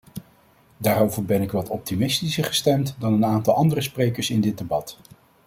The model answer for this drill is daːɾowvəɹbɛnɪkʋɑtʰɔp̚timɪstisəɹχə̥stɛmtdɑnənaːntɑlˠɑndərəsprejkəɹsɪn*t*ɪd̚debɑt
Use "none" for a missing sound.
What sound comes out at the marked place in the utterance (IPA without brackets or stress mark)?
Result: d